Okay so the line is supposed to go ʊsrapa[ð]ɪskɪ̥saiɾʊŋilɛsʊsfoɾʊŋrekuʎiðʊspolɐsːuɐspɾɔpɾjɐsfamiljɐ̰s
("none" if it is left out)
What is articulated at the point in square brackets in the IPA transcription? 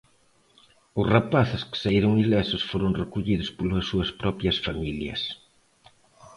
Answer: θ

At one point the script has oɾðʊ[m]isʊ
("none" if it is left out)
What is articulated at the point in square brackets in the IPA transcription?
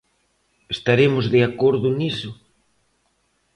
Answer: n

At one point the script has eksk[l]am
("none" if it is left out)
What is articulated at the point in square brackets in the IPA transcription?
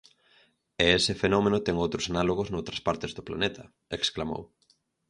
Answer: l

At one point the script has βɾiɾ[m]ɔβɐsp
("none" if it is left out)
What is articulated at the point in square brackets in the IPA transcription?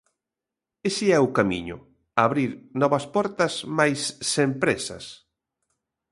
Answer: n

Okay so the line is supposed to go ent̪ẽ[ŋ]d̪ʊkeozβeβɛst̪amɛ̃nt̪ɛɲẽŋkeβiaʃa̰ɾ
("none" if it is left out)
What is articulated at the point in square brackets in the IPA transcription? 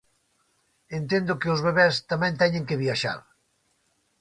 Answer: n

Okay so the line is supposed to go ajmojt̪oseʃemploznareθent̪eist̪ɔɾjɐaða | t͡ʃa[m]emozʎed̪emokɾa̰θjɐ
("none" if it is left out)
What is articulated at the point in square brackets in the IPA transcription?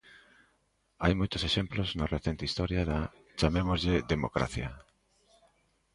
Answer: m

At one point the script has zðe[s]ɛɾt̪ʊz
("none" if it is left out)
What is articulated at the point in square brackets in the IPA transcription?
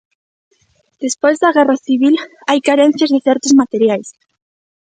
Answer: θ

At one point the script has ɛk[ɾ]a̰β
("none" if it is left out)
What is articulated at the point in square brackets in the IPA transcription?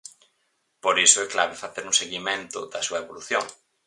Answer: l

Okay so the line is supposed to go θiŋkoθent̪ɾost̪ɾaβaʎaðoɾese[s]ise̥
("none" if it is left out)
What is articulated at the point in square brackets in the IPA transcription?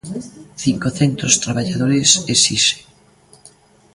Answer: s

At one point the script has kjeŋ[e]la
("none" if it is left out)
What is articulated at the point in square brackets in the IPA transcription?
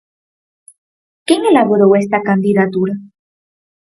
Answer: e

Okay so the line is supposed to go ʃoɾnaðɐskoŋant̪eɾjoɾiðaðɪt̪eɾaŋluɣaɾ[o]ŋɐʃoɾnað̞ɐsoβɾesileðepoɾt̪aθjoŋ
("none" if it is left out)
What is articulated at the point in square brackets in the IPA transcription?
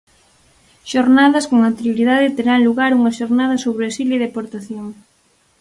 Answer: u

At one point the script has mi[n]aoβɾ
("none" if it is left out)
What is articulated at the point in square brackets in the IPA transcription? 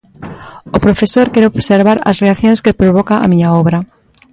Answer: ɲ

